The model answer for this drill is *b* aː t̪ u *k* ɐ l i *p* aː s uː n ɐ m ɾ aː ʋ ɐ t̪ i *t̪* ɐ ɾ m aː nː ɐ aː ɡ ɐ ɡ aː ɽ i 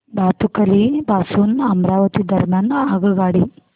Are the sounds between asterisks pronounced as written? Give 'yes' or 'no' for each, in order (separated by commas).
yes, yes, no, no